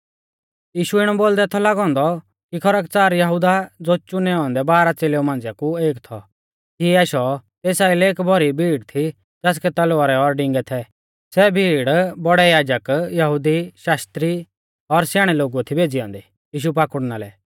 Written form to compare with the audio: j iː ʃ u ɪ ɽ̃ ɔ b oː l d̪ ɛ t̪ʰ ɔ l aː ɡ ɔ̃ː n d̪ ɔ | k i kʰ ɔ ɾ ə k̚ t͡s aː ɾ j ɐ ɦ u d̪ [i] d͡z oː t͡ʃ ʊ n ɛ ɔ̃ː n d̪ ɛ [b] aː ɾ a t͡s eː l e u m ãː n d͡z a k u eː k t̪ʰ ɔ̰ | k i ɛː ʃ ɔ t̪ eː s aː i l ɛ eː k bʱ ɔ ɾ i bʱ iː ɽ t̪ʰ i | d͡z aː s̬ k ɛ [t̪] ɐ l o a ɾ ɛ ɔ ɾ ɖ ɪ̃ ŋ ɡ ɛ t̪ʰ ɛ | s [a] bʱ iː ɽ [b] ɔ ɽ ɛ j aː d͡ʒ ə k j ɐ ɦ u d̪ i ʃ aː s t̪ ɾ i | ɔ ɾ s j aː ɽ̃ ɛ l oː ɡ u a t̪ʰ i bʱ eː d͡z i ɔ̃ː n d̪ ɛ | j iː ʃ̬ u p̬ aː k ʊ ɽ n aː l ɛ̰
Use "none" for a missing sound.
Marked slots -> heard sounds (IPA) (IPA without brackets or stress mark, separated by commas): a, b, t̪, ɛ, b